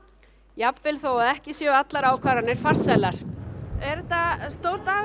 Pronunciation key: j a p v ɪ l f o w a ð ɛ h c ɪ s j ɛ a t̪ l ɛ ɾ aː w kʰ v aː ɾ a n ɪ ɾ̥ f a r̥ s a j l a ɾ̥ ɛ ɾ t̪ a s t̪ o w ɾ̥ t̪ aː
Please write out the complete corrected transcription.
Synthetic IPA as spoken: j a p v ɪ l θ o w a ð ɛ h c ɪ s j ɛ a t̪ l a ɾ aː w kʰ v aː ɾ a n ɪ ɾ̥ f a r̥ s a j l a ɾ̥ ɛ ɾ t̪ a s t̪ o w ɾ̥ t̪ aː

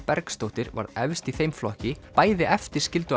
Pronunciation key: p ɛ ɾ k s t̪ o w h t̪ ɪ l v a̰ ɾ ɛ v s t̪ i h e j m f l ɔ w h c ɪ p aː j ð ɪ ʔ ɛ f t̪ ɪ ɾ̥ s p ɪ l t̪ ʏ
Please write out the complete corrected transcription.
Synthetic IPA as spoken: p ɛ ɾ k s t̪ o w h t̪ ɪ ɾ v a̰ ɾ ɛ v s t̪ i θ e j m f l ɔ h c ɪ p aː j ð ɪ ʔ ɛ f t̪ ɪ ɾ̥ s c ɪ l t̪ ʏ

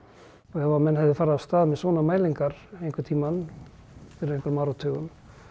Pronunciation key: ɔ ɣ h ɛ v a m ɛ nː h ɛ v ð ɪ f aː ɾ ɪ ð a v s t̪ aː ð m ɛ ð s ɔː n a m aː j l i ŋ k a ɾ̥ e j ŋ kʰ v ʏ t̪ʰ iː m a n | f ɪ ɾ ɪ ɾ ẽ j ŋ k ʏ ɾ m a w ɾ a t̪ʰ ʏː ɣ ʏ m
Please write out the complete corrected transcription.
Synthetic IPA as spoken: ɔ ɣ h ɛ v a m ɛ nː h ɛ v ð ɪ f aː ɾ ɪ ð a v s t̪ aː ð m ɛ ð s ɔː n a m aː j l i ŋ k a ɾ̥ e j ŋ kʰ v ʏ t̪ʰ iː m a n | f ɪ ɾ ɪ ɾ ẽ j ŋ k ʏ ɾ m a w ɾ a t̪ʰ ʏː ɣ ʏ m

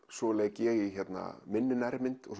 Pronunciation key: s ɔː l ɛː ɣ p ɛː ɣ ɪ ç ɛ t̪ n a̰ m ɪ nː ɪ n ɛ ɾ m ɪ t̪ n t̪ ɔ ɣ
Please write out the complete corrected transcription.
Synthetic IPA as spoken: s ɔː l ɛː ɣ c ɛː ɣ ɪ ç ɛ t̪ n a̰ m ɪ nː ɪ n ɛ ɾ m ɪ n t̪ ɔ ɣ

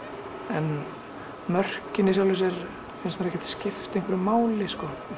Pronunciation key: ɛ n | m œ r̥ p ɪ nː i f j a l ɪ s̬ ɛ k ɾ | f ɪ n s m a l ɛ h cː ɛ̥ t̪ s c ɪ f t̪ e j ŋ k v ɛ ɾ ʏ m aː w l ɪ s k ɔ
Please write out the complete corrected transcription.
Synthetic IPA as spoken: ɛ n | m œ r̥ c ɪ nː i s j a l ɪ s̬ ɛ ɾ | f ɪ n s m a ɾ ɛ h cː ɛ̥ t̪ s c ɪ f t̪ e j ŋ k v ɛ ɾ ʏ m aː w l ɪ s k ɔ

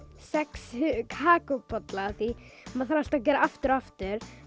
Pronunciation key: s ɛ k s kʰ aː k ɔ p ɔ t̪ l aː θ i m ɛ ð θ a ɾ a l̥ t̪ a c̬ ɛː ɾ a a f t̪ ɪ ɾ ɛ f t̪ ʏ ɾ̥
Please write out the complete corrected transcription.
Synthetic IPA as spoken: s ɛ k s kʰ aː k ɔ p ɔ t̪ l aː θ i m a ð θ a ɾ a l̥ t̪ a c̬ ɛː ɾ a a f t̪ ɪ ɾ a f t̪ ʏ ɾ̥

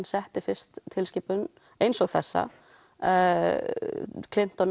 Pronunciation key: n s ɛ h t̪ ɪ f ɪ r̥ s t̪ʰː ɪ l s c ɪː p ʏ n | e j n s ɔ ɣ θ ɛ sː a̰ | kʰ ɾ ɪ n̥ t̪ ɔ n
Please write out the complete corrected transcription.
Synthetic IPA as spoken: n s ɛ h t̪ ɪ f ɪ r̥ s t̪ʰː ɪ l s c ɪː p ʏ n | e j n s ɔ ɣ θ ɛ sː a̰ | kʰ l ɪ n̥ t̪ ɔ n

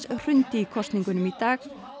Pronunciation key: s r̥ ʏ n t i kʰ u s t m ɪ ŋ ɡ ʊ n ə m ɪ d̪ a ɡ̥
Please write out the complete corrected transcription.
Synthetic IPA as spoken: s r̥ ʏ n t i kʰ ɔ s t n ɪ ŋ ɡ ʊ n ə m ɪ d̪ a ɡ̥

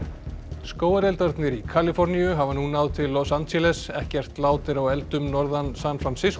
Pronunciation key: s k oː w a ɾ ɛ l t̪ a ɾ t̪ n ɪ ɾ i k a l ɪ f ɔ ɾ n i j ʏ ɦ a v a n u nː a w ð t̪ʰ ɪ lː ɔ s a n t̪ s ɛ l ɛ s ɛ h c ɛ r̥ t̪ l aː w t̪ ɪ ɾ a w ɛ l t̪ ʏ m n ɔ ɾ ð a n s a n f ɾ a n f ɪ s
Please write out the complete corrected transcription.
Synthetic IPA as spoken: s k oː w a ɾ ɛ l t̪ a ɾ t̪ n ɪ ɾ i kʰ a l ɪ f ɔ ɾ n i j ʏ ɦ a v a n u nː a w ð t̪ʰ ɪ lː ɔ s a n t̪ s ɛ l ɛ s ɛ h c ɛ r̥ t̪ l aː w t̪ ɪ ɾ a w ɛ l t̪ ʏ m n ɔ ɾ ð a n s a n f ɾ a n s ɪ s

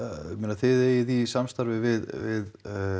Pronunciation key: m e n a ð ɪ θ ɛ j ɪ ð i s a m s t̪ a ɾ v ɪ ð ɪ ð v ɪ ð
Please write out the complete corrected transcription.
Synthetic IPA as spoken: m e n a θ ɪ ð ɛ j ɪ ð i s a m s t̪ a ɾ v ɪ v ɪ ð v ɪ ð

